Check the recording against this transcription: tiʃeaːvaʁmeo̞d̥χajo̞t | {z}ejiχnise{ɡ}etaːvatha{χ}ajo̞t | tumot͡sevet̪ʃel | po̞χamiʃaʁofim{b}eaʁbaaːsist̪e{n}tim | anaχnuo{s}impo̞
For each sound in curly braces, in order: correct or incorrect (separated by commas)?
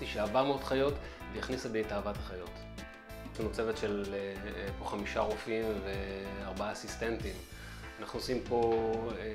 incorrect, incorrect, correct, incorrect, correct, correct